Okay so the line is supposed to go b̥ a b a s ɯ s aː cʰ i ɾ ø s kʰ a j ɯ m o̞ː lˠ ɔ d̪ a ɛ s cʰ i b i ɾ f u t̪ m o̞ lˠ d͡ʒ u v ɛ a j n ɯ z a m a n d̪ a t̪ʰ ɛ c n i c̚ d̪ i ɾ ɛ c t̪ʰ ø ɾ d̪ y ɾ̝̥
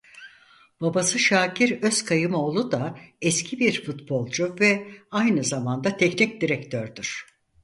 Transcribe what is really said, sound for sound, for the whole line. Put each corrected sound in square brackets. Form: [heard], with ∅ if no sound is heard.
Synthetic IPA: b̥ a b a s ɯ [ʃ] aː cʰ i ɾ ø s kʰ a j ɯ m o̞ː lˠ [u] d̪ a ɛ s cʰ i b i ɾ f u t̪ [b] o̞ lˠ d͡ʒ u v ɛ a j n ɯ z a m a n d̪ a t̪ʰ ɛ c n i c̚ d̪ i ɾ ɛ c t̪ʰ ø ɾ d̪ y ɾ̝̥